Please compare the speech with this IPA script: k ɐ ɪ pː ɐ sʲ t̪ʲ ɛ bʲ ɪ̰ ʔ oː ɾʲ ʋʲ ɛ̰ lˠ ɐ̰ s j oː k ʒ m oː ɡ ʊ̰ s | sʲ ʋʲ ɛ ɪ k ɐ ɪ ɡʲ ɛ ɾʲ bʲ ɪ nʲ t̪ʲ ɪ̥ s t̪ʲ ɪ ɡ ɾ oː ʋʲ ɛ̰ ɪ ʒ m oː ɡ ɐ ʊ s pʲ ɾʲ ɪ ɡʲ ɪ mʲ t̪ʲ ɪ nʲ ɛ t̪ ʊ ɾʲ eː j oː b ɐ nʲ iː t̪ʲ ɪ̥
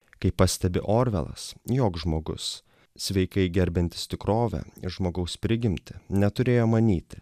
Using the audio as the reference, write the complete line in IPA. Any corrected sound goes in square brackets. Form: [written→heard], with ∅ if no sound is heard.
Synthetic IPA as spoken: k ɐ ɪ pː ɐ sʲ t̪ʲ ɛ bʲ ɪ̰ ʔ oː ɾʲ ʋʲ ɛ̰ lˠ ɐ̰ s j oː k ʒ m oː ɡ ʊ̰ s | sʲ ʋʲ ɛ ɪ k ɐ ɪ ɡʲ ɛ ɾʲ bʲ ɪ nʲ t̪ʲ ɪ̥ s t̪ʲ ɪ [ɡ→k] ɾ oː ʋʲ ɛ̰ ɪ ʒ m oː ɡ ɐ ʊ s pʲ ɾʲ ɪ ɡʲ ɪ mʲ t̪ʲ ɪ nʲ ɛ t̪ ʊ ɾʲ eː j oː [b→m] ɐ nʲ iː t̪ʲ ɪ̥